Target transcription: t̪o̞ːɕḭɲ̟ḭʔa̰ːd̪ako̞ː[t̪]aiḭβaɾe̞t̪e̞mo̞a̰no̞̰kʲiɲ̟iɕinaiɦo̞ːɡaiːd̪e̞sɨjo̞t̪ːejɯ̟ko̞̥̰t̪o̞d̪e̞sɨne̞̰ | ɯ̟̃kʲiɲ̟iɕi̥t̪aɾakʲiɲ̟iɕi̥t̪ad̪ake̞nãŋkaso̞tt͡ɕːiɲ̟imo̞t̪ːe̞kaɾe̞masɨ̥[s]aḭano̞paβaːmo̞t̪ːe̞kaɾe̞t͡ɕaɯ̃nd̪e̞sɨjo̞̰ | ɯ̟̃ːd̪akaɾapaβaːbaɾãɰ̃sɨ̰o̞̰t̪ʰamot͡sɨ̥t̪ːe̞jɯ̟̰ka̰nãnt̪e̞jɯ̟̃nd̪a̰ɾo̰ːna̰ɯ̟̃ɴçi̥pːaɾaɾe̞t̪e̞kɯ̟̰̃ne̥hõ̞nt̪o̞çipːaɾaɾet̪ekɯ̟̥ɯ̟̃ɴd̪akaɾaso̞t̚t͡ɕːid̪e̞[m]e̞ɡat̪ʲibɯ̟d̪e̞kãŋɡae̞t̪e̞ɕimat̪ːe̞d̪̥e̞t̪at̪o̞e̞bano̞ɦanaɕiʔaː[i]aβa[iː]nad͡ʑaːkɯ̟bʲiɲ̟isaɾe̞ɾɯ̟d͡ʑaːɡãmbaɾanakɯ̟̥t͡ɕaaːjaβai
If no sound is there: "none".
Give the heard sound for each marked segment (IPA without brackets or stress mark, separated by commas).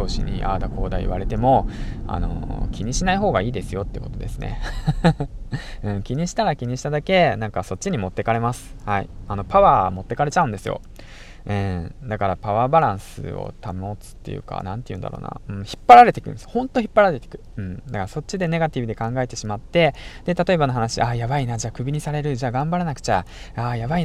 d̪, h, n, j, i